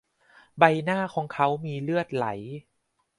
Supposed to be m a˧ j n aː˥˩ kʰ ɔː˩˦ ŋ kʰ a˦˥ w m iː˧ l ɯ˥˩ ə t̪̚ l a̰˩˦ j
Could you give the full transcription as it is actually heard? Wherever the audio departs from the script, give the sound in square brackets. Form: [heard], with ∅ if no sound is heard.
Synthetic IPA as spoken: [b] a˧ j n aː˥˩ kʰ ɔː˩˦ ŋ kʰ a˦˥ w m iː˧ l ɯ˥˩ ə t̪̚ l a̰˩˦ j